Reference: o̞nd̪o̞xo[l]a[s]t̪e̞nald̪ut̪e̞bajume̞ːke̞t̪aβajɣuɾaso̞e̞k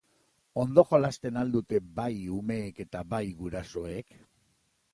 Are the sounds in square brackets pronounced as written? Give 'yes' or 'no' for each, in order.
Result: yes, yes

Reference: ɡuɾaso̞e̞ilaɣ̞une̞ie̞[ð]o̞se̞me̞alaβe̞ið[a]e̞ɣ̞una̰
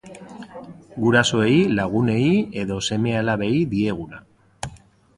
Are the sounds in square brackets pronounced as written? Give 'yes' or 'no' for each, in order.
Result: yes, no

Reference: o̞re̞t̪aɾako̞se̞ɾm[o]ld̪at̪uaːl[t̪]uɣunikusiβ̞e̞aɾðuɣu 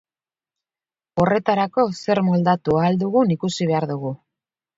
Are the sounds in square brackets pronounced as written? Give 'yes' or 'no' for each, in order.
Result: yes, no

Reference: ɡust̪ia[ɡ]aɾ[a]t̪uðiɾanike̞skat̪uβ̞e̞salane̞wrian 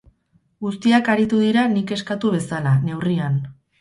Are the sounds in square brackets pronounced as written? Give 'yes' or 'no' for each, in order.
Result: no, no

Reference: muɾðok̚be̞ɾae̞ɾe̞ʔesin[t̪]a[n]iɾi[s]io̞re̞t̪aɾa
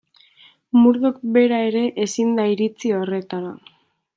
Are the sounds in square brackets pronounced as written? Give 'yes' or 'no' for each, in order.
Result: no, no, no

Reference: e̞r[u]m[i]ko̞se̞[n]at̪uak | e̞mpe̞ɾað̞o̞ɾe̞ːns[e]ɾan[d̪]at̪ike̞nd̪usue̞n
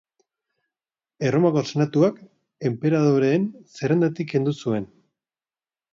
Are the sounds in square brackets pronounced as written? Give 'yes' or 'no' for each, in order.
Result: no, no, yes, yes, yes

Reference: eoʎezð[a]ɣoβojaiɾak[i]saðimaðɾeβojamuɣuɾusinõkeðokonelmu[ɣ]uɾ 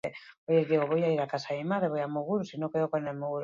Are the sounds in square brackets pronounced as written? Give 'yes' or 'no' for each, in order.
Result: no, no, yes

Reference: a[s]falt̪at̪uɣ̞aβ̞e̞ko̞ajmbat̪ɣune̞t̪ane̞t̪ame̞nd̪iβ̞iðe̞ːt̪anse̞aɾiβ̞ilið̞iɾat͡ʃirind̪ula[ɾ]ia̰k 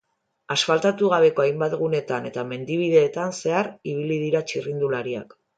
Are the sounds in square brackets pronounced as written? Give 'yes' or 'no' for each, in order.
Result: yes, yes

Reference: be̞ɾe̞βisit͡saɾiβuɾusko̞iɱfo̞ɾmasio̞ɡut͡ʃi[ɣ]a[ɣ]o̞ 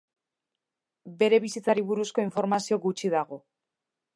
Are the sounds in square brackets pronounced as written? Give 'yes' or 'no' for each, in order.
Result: no, yes

